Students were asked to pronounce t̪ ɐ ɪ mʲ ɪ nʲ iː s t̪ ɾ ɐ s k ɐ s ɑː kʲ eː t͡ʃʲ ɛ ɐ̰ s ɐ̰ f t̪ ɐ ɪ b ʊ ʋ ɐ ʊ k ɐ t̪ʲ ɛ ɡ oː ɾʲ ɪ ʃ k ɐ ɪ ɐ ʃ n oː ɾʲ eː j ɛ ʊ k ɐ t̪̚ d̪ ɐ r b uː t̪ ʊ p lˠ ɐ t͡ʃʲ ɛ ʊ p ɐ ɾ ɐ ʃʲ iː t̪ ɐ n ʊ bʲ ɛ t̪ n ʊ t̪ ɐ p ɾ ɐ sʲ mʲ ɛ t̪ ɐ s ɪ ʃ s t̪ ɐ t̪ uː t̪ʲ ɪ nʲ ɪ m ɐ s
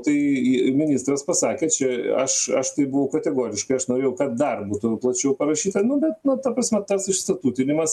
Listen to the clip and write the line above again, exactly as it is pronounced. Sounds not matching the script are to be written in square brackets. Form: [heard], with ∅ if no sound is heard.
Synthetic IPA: t̪ ɐ ɪ mʲ ɪ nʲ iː s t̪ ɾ ɐ s [p] ɐ s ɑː kʲ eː t͡ʃʲ ɛ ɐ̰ [ʃ] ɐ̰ [ʃ] t̪ ɐ ɪ b ʊ ʋ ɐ ʊ k ɐ t̪ʲ ɛ ɡ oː ɾʲ ɪ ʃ k ɐ ɪ ɐ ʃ n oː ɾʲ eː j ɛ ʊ k ɐ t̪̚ d̪ ɐ r b uː t̪ ʊ p lˠ ɐ t͡ʃʲ ɛ ʊ p ɐ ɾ ɐ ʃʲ iː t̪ ɐ n ʊ bʲ ɛ t̪ n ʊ t̪ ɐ p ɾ ɐ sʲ mʲ ɛ t̪ ɐ s ɪ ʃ s t̪ ɐ t̪ uː t̪ʲ ɪ nʲ ɪ m ɐ s